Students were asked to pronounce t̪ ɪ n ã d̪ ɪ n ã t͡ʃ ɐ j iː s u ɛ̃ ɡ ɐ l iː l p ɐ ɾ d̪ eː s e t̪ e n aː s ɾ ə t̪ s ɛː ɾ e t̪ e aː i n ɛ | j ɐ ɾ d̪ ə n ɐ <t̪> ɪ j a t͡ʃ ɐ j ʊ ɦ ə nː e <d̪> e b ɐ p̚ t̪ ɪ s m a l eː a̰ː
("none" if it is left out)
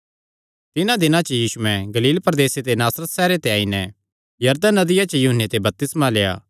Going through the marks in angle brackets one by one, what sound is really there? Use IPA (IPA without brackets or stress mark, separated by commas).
d̪, t̪